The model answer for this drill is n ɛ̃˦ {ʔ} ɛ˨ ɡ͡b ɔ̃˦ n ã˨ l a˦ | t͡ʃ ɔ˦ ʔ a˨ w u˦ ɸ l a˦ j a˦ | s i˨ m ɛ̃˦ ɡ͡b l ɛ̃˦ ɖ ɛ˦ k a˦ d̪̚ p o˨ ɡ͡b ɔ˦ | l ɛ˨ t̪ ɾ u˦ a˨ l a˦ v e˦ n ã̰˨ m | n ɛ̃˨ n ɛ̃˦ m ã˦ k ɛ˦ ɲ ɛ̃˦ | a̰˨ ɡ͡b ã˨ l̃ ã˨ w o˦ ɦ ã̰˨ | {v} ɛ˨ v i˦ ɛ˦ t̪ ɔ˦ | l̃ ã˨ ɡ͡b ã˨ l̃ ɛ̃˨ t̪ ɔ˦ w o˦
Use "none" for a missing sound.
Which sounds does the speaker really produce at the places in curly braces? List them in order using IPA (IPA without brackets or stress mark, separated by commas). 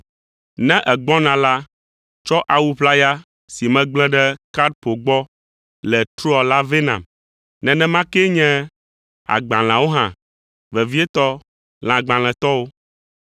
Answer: ʔ, v